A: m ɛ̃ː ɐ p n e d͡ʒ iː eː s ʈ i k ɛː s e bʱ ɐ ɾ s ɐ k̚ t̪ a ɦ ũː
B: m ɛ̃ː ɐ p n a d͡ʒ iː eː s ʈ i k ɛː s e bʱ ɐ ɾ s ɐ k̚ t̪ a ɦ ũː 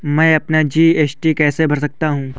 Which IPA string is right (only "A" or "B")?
B